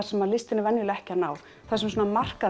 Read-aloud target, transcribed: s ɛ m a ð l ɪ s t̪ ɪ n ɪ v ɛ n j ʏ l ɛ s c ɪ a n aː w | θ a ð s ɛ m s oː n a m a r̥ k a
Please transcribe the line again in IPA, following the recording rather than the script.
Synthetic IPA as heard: s ɛ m a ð l ɪ s t̪ ɪ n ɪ v ɛ n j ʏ l ɛ h c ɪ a n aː w | θ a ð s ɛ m s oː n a m a r̥ k a